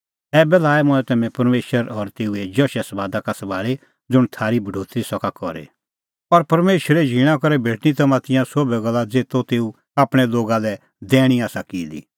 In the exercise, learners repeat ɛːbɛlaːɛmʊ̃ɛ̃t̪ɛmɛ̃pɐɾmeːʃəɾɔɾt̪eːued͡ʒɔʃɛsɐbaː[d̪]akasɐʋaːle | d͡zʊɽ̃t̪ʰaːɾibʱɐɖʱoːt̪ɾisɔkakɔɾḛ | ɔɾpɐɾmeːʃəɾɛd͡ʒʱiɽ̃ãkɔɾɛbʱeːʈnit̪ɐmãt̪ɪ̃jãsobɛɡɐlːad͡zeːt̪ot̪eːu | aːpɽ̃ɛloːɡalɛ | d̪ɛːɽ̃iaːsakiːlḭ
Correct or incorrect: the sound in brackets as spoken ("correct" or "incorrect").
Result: correct